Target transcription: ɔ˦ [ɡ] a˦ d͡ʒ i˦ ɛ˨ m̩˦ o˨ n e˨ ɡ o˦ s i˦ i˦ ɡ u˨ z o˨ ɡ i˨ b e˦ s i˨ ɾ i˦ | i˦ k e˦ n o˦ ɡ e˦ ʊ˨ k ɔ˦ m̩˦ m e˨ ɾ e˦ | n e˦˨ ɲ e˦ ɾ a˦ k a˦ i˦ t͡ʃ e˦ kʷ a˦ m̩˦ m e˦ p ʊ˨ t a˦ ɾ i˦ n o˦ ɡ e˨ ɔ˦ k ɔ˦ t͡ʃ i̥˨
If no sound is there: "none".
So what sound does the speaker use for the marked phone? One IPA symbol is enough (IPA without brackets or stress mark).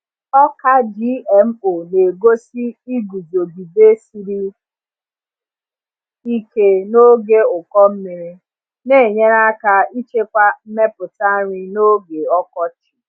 k